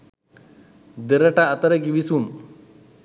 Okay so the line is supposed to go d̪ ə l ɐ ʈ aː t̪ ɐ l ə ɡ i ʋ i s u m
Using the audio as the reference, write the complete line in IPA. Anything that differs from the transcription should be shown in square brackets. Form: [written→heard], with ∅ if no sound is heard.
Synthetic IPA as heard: d̪ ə [l→ɾ] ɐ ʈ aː t̪ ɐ [l→ɾ] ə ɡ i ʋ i s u m